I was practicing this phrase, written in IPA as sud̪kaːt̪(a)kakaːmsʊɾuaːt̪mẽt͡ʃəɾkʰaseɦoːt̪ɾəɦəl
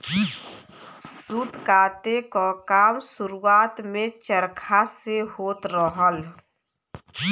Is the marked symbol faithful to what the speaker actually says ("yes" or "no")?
no